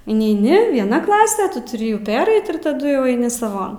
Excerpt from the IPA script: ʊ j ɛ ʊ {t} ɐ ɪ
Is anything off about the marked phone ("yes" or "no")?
yes